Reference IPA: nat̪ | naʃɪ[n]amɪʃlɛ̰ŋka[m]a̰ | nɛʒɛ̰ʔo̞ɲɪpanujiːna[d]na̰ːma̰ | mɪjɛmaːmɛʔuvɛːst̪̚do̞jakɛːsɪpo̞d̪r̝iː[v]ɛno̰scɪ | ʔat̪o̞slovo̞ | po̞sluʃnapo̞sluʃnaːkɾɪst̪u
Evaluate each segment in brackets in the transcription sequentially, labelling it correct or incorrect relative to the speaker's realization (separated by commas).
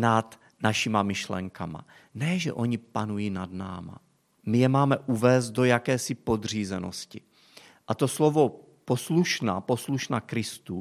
incorrect, correct, correct, incorrect